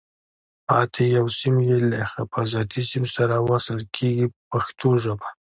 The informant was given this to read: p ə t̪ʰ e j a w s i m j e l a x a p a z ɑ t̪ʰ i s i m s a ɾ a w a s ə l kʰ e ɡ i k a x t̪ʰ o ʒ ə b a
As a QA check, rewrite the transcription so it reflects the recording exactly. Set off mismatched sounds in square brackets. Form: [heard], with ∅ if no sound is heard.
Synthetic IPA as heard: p [ɑ] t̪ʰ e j a w s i m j e l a x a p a z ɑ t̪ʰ i s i m s a ɾ a w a s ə l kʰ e ɡ i [p] a x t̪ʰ o ʒ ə b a